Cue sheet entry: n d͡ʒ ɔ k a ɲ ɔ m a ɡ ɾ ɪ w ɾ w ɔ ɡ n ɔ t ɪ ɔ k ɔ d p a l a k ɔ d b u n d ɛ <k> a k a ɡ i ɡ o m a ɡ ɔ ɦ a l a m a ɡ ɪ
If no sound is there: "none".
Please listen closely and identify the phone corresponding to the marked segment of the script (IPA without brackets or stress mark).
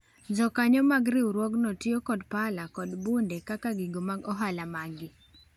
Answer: k